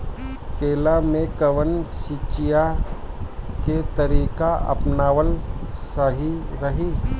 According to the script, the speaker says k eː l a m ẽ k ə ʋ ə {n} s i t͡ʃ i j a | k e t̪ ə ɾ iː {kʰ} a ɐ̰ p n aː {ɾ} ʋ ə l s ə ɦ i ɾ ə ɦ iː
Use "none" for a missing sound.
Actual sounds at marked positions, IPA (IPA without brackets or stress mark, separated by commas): n, k, none